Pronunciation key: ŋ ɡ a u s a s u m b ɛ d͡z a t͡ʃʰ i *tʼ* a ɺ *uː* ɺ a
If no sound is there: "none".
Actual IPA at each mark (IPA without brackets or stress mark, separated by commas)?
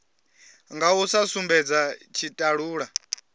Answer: tʼ, uː